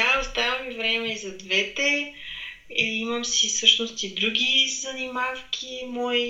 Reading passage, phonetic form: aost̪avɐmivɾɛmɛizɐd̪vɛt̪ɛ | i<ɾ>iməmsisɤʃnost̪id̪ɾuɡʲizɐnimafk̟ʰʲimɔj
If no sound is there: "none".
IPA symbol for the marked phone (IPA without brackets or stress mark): none